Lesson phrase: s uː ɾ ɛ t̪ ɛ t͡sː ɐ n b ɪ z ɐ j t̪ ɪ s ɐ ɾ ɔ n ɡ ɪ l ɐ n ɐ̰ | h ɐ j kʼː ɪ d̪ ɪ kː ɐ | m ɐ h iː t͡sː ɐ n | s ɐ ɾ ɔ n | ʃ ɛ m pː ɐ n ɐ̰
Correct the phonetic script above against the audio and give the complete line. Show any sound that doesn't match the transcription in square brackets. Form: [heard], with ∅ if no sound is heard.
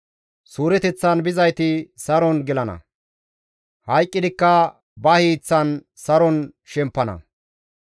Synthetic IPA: s uː ɾ ɛ t̪ ɛ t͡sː ɐ n b ɪ z ɐ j t̪ ɪ s ɐ ɾ ɔ n ɡ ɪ l ɐ n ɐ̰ | h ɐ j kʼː ɪ d̪ ɪ kː ɐ | [b] ɐ h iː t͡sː ɐ n | s ɐ ɾ ɔ n | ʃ ɛ m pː ɐ n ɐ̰

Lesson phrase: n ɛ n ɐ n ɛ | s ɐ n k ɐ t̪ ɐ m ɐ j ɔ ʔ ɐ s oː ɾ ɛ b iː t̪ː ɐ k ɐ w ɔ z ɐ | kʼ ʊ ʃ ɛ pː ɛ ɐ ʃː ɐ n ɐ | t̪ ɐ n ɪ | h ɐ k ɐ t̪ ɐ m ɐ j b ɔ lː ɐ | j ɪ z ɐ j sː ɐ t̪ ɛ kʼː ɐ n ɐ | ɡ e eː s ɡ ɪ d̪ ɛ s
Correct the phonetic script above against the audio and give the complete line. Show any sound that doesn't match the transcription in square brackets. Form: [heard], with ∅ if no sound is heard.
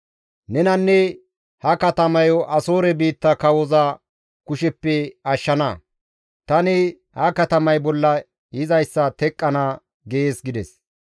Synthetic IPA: n ɛ n ɐ [nː] ɛ | [h] ɐ [∅] k ɐ t̪ ɐ m ɐ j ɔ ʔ ɐ s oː ɾ ɛ b iː t̪ː ɐ k ɐ w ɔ z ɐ | [k] ʊ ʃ ɛ pː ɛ ɐ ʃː ɐ n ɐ | t̪ ɐ n ɪ | h ɐ k ɐ t̪ ɐ m ɐ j b ɔ lː ɐ | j ɪ z ɐ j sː ɐ t̪ ɛ kʼː ɐ n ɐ | ɡ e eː s ɡ ɪ d̪ ɛ s

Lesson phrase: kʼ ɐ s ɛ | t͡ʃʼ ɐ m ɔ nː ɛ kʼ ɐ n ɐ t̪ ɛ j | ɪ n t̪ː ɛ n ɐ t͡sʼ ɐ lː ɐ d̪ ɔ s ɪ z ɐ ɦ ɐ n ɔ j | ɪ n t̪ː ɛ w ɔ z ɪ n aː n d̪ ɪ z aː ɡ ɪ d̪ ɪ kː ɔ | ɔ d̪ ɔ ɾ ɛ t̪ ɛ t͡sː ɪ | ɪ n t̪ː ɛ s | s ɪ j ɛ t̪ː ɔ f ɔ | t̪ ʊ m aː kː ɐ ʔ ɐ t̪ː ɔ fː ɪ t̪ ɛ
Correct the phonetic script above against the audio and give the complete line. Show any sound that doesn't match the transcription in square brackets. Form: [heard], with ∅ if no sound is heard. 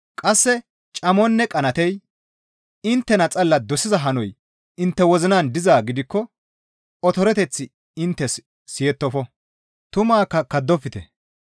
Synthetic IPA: kʼ ɐ [sː] ɛ | t͡ʃʼ ɐ m ɔ nː ɛ kʼ ɐ n ɐ t̪ ɛ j | ɪ n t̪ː ɛ n ɐ t͡sʼ ɐ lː ɐ d̪ ɔ s ɪ z ɐ ɦ ɐ n ɔ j | ɪ n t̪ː ɛ w ɔ z ɪ n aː n d̪ ɪ z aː ɡ ɪ d̪ ɪ kː ɔ | ɔ [t̪] ɔ ɾ ɛ t̪ ɛ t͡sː ɪ | ɪ n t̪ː ɛ s | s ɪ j ɛ t̪ː ɔ f ɔ | t̪ ʊ m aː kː ɐ [k] ɐ [d̪ː] ɔ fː ɪ t̪ ɛ

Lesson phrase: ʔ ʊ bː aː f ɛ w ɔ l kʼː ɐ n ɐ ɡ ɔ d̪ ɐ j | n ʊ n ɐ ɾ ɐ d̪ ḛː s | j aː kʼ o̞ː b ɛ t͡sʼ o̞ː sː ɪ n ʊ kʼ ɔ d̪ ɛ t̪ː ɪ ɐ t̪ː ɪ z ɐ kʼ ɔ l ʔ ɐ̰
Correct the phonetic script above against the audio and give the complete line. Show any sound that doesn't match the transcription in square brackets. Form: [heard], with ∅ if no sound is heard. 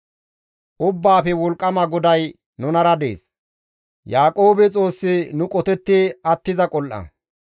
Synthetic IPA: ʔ ʊ bː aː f ɛ w ɔ l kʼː ɐ [m] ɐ ɡ ɔ d̪ ɐ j | n ʊ n ɐ ɾ ɐ d̪ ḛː s | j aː kʼ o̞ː b ɛ t͡sʼ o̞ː sː ɪ n ʊ kʼ ɔ [t̪] ɛ t̪ː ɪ ɐ t̪ː ɪ z ɐ kʼ ɔ l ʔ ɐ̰

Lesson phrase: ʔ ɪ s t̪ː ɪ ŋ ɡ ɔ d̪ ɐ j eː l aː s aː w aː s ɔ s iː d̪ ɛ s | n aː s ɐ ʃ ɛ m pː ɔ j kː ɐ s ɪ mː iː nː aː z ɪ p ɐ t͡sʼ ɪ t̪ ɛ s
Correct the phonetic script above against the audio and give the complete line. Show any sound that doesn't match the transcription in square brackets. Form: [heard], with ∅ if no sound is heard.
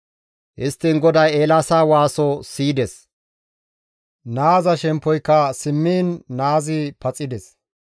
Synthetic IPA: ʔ ɪ s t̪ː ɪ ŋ ɡ ɔ d̪ ɐ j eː l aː s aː w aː s ɔ s iː d̪ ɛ s | n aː [z] ɐ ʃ ɛ m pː ɔ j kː ɐ s ɪ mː iː nː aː z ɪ p ɐ t͡sʼ ɪ [d̪] ɛ s

